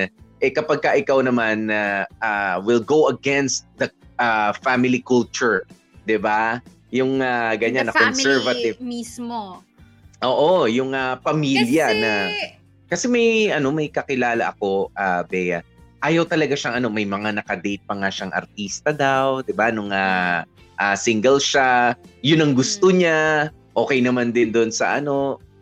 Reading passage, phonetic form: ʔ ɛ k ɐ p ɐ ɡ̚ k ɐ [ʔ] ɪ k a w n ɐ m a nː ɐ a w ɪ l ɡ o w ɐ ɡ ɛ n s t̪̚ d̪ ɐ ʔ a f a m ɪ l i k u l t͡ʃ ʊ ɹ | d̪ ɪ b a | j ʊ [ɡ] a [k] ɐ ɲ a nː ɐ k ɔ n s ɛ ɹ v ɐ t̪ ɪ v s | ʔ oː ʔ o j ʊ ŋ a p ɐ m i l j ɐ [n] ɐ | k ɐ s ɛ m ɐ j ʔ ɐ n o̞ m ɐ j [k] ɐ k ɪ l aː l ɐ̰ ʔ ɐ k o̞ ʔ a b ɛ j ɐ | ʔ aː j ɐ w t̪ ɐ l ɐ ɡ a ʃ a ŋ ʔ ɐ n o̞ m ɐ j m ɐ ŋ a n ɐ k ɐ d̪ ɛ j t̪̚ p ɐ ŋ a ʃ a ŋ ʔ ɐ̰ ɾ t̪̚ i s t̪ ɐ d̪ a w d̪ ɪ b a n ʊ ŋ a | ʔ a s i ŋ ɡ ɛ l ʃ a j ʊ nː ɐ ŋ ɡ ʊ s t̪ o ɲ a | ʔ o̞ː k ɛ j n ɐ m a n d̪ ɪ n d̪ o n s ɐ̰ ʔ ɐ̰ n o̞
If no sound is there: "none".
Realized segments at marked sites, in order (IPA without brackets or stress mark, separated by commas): ʔ, ŋ, ɡ, n, k